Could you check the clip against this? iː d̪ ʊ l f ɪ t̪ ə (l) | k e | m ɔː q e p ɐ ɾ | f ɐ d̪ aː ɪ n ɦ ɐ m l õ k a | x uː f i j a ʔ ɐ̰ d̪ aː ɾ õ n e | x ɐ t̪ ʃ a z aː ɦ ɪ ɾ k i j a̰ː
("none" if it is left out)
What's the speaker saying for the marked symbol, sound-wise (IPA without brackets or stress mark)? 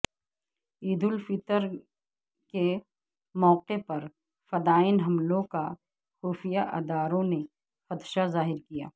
ɾ